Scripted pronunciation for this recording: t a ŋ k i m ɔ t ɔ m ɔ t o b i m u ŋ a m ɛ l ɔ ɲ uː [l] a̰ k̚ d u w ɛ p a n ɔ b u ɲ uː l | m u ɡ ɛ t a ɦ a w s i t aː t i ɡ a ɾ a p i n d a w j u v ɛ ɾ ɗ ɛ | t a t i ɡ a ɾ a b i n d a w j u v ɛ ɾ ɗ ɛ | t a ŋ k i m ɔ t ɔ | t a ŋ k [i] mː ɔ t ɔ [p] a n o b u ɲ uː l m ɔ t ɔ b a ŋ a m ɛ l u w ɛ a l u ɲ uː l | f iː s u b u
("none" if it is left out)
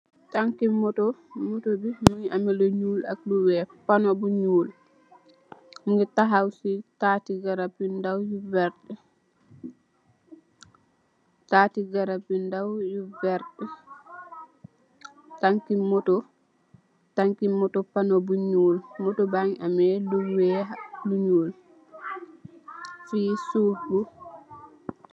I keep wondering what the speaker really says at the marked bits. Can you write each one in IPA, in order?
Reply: l, i, p

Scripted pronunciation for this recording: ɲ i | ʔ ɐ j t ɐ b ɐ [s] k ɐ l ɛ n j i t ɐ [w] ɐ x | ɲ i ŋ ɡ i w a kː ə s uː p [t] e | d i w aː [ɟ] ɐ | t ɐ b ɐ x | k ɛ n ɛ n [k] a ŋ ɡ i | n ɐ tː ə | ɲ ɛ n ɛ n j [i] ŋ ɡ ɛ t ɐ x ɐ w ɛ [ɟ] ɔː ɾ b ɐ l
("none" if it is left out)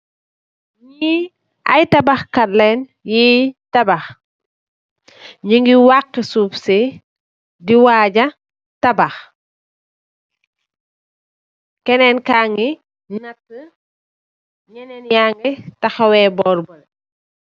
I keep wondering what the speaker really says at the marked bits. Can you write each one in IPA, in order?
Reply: x, b, s, ɟ, k, a, b

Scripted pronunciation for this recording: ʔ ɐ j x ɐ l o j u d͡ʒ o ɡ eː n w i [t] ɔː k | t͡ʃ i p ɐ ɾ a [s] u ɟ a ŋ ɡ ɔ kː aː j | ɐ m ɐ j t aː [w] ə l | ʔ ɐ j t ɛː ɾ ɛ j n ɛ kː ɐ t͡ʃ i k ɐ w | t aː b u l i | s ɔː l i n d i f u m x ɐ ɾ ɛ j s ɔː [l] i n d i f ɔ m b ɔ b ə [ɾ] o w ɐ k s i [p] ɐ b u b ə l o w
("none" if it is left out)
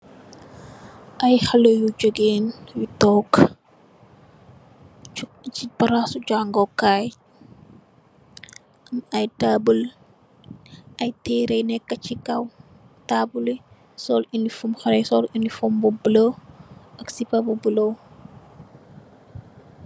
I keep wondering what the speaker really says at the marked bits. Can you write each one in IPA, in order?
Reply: t, s, b, l, l, p

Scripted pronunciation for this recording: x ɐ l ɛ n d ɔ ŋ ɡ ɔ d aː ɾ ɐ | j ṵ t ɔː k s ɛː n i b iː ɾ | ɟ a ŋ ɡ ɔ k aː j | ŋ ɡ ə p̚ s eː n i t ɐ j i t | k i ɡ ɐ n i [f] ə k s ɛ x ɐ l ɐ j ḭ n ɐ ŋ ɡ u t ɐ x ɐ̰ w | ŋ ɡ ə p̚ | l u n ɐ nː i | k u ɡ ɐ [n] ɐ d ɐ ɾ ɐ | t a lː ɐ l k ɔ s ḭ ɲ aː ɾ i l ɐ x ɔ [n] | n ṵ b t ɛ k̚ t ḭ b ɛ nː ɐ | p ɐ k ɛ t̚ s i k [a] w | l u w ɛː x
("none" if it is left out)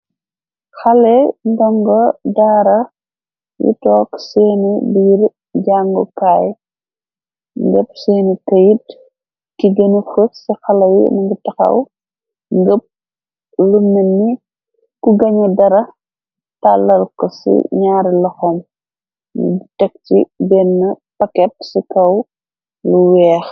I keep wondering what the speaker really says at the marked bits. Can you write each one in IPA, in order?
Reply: f, ɲ, m, ɐ

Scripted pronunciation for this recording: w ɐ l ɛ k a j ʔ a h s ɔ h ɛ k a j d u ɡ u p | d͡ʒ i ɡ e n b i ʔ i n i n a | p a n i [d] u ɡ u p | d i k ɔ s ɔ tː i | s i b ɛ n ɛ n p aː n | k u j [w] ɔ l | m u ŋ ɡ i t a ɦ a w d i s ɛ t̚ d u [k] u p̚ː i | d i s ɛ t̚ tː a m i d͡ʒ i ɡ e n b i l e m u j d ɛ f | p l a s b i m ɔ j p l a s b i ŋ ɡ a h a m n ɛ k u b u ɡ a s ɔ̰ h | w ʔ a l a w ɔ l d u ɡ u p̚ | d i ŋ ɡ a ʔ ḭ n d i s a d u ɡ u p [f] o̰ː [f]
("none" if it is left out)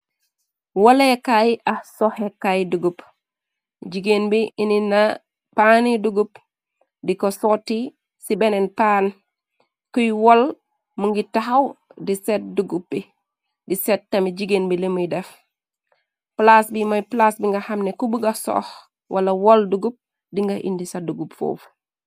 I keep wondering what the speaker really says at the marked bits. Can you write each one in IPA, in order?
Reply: d, w, ɡ, f, f

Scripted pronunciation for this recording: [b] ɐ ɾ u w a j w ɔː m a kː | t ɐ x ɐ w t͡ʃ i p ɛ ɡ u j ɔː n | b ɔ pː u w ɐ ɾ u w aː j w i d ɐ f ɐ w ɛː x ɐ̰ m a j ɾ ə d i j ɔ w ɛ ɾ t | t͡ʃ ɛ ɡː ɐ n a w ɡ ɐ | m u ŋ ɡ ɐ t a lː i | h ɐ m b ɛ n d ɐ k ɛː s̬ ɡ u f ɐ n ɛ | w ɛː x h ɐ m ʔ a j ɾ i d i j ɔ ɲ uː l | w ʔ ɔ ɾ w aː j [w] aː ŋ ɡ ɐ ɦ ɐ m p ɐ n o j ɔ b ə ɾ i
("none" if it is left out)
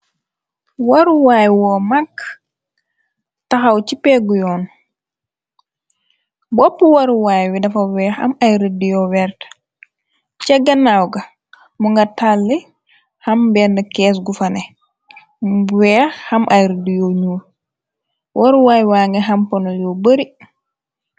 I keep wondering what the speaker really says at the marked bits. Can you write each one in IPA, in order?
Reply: w, w

